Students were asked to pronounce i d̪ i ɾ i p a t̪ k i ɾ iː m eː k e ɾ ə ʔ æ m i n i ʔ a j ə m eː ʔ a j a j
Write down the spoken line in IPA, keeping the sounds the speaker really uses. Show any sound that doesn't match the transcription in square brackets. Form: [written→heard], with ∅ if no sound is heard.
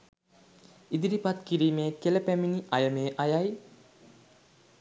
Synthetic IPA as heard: i d̪ i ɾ i p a t̪ k i ɾ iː m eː k e [ɾ→l] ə [ʔ→p] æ m i n i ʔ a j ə m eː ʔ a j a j